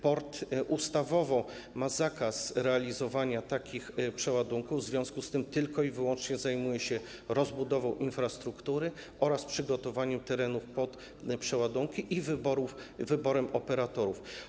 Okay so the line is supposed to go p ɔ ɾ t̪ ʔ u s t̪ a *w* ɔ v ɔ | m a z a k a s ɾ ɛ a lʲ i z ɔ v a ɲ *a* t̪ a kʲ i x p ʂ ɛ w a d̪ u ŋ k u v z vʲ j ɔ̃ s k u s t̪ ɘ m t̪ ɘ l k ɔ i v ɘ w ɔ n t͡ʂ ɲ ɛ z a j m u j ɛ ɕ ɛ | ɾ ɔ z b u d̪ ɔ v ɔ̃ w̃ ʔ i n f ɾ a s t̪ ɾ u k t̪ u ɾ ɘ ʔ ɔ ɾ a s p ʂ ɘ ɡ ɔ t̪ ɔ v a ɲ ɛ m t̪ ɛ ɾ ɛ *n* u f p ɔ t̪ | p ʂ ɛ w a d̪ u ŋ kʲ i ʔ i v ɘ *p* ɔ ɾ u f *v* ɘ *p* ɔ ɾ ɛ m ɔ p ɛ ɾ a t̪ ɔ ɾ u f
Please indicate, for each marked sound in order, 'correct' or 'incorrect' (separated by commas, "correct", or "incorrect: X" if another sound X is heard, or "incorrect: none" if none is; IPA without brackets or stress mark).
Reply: incorrect: v, correct, correct, incorrect: b, correct, incorrect: b